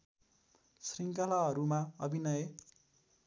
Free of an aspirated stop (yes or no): yes